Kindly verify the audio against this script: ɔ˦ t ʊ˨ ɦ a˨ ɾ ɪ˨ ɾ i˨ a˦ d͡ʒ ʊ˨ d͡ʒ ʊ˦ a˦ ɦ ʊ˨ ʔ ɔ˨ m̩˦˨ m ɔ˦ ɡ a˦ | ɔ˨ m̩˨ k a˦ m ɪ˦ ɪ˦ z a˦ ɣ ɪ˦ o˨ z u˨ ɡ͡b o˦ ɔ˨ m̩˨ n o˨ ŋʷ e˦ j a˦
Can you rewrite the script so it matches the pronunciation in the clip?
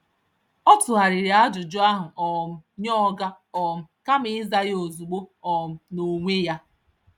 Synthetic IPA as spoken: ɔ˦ t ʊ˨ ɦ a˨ ɾ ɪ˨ ɾ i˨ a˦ d͡ʒ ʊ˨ d͡ʒ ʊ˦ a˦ ɦ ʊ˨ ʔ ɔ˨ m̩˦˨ ɲ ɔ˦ ɡ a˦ | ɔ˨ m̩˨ k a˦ m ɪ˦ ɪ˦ z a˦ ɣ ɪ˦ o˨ z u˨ ɡ͡b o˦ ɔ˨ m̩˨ n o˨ ŋʷ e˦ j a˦